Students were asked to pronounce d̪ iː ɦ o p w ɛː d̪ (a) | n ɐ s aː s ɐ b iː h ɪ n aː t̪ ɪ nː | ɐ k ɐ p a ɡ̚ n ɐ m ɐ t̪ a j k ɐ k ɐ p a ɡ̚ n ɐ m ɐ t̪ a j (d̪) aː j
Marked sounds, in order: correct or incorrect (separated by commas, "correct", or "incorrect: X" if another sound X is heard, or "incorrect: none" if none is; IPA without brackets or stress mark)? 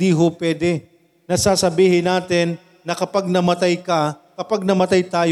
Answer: incorrect: ɛ, incorrect: t̪